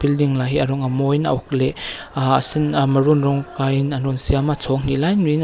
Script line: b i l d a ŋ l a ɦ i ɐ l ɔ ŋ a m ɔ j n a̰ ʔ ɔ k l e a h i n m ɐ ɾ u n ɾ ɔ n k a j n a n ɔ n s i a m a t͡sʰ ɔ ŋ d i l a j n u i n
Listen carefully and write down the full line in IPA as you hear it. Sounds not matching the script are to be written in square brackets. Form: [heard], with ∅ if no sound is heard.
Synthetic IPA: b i l d [i] ŋ l a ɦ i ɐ [ɾ] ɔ ŋ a m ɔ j n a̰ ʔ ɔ k l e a [s] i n m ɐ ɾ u n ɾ ɔ [ŋ] k a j n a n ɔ n s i a m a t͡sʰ ɔ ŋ [n] i l a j n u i n